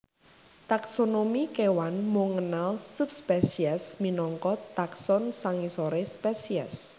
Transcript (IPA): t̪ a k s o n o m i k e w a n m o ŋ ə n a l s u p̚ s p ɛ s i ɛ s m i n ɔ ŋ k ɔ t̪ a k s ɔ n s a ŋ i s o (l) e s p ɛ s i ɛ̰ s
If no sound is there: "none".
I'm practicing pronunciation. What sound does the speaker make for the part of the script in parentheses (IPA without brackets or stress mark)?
ɾ